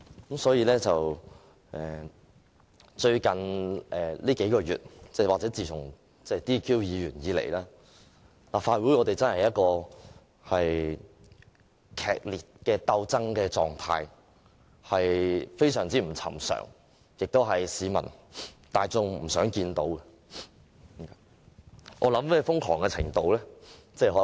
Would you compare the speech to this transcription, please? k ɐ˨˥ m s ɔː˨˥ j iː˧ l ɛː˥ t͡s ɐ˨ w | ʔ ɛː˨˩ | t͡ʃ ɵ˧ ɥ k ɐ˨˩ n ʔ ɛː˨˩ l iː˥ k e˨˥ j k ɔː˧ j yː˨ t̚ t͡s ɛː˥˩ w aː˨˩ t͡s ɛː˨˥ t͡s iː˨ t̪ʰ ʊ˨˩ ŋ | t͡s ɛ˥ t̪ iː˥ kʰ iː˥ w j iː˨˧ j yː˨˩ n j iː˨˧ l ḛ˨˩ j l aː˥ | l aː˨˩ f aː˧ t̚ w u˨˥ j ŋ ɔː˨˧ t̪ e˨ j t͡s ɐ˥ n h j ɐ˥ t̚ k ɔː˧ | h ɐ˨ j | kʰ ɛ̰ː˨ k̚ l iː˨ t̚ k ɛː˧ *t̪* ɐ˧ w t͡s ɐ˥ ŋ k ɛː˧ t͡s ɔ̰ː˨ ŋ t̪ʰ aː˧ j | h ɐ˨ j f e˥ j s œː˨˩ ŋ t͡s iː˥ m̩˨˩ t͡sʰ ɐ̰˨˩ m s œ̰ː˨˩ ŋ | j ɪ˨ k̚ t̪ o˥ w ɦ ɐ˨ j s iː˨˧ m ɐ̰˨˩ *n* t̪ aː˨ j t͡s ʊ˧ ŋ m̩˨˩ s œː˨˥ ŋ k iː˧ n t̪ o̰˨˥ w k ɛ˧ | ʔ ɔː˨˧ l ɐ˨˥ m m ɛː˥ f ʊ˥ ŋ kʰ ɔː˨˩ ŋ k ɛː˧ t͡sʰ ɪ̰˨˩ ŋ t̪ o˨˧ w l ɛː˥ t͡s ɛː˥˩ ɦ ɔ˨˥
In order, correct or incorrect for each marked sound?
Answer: correct, correct

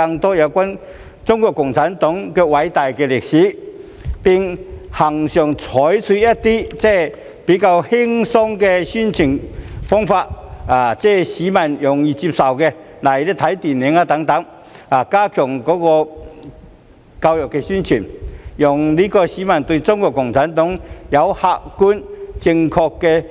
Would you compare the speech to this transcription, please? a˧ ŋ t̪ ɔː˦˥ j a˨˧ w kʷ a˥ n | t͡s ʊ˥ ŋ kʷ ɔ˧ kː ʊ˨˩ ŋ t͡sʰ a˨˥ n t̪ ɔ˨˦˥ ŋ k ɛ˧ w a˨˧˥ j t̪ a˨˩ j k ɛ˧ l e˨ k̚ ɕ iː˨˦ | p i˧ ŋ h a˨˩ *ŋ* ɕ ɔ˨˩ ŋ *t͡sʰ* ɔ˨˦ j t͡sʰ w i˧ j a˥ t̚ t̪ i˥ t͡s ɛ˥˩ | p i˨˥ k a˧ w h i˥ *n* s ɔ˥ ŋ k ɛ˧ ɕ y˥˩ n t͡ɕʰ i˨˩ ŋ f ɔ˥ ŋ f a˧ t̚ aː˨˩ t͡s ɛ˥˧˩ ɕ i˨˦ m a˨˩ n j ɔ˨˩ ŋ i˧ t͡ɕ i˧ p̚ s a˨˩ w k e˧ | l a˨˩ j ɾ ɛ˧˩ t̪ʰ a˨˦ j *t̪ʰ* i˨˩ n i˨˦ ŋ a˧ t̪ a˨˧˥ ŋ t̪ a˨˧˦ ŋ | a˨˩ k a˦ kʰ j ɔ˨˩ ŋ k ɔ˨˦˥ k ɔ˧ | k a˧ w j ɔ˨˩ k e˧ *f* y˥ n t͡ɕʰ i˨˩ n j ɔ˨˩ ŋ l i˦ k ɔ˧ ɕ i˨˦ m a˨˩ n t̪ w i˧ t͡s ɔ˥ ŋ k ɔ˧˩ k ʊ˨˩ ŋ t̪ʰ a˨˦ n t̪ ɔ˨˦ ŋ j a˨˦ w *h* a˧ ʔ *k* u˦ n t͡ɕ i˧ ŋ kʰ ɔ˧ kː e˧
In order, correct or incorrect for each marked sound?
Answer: correct, correct, incorrect: ŋ, incorrect: t̪, incorrect: ɕ, correct, correct

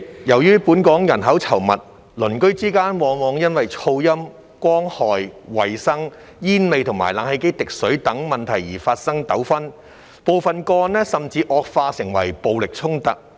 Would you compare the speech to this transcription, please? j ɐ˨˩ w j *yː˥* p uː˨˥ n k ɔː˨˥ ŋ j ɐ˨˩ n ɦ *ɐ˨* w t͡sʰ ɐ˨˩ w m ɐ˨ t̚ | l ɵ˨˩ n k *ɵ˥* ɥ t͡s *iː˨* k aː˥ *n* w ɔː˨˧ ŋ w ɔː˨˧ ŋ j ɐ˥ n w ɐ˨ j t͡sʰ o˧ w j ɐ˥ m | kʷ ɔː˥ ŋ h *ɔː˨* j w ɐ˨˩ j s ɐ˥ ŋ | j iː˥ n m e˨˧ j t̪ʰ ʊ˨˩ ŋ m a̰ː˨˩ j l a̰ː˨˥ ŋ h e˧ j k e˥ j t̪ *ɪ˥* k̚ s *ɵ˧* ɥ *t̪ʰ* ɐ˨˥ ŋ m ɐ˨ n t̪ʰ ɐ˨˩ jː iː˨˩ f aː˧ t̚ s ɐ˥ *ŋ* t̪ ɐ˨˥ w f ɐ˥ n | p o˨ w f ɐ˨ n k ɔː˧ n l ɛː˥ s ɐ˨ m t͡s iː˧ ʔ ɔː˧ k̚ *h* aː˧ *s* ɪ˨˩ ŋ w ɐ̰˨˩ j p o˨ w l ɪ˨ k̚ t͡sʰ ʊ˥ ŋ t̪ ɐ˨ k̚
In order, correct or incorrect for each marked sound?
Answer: correct, incorrect: ɐ˨˥, correct, incorrect: iː˥, correct, correct, incorrect: ɪ˨, incorrect: ɵ˨˥, incorrect: t̪, correct, incorrect: f, correct

